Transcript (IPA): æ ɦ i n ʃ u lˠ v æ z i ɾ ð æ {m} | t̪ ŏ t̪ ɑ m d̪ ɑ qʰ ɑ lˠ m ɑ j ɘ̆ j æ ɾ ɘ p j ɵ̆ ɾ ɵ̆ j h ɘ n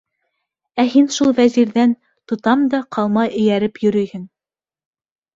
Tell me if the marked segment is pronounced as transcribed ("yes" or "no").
no